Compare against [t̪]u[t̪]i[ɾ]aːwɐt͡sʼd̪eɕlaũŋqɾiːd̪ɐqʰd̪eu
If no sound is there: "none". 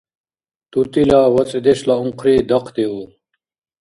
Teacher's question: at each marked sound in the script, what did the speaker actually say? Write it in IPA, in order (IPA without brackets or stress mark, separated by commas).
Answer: t̪, t̪, l